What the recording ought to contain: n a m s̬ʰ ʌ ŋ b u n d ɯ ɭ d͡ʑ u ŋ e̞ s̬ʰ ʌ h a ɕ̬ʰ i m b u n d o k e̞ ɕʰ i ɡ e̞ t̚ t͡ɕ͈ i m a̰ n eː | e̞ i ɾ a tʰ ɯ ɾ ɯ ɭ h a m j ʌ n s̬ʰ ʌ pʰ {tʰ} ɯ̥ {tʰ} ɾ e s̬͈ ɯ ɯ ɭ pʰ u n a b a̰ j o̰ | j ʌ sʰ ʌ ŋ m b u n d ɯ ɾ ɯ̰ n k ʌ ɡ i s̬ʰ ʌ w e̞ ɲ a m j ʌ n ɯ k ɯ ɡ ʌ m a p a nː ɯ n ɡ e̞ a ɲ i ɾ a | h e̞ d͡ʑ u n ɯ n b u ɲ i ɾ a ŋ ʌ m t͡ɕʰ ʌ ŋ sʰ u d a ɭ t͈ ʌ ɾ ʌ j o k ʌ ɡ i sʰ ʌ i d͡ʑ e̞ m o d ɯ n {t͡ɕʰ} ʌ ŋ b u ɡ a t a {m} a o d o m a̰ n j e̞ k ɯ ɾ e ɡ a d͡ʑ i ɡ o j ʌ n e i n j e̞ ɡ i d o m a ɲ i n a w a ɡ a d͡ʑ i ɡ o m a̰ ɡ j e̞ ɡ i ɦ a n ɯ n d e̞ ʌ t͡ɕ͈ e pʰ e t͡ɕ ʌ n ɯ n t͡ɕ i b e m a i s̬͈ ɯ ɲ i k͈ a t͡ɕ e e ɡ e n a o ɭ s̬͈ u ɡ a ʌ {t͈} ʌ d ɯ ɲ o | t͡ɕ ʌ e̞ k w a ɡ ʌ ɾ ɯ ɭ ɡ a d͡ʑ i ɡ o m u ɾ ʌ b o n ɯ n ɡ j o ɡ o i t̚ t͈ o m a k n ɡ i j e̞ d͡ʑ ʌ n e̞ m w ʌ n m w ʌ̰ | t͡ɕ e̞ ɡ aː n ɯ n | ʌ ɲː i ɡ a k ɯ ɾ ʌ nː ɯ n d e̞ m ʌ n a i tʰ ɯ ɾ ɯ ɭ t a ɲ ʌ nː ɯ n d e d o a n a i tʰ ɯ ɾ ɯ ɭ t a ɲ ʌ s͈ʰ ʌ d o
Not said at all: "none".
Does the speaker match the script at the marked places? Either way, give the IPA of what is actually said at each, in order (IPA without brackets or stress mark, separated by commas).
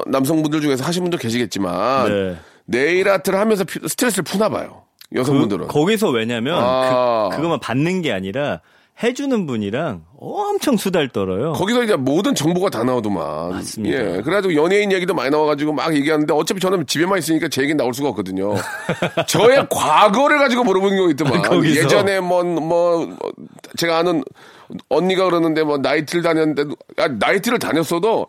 sʰ, tʰ, t͡ɕ, n, k͈